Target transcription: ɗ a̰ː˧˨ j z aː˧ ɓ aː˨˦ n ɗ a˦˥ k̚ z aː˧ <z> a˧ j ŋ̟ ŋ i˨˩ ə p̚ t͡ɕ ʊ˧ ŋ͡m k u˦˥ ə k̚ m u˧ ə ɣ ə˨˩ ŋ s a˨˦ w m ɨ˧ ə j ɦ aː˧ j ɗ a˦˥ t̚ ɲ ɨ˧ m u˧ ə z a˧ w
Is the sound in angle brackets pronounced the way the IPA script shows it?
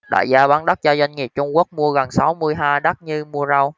yes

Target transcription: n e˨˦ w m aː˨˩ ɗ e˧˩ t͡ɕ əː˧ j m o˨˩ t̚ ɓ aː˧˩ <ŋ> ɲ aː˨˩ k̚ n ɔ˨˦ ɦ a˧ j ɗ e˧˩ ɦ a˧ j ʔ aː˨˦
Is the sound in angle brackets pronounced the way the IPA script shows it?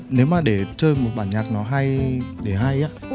no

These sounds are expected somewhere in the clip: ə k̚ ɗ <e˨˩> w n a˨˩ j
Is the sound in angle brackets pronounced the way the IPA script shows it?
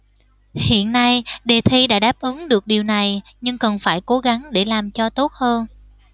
no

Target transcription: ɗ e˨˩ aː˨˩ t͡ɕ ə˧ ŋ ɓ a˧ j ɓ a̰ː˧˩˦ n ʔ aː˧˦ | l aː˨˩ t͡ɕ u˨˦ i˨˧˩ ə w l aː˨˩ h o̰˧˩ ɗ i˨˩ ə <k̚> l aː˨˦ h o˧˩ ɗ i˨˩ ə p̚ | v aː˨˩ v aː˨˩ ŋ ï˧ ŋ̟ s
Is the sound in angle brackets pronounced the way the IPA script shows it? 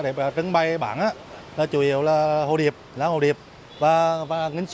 no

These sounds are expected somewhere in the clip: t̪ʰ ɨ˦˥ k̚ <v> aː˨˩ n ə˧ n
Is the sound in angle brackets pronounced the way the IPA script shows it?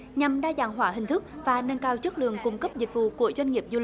yes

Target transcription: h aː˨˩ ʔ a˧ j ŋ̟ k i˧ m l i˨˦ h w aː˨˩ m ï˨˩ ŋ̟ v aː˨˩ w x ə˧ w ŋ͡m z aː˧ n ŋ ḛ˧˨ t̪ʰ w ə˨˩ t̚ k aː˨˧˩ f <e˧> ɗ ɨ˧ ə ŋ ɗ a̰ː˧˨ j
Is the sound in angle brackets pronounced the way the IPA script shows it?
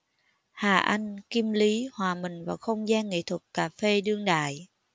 yes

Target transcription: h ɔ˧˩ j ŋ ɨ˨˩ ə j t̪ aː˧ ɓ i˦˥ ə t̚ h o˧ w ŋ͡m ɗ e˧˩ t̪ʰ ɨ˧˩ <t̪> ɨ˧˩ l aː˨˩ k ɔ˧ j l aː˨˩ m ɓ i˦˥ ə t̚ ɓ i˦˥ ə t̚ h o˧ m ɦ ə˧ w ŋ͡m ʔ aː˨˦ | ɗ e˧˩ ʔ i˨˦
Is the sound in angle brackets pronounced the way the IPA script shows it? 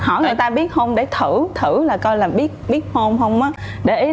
no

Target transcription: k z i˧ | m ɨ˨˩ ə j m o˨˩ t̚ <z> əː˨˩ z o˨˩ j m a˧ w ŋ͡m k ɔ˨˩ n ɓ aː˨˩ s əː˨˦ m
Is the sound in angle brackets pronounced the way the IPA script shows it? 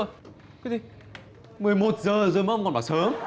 yes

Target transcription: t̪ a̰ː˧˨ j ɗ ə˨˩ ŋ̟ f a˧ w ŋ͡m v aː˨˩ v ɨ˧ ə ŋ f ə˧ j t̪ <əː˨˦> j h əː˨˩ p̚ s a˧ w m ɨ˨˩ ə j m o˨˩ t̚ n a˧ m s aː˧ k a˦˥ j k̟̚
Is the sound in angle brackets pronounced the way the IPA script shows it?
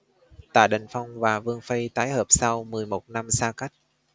no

